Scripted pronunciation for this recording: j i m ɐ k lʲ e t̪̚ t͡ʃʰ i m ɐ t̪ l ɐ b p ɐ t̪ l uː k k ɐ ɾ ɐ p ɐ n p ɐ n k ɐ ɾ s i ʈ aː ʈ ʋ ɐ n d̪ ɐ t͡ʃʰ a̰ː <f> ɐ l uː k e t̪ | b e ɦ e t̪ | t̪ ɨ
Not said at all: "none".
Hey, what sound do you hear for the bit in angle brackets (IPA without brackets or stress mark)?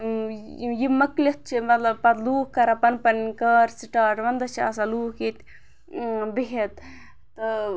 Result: s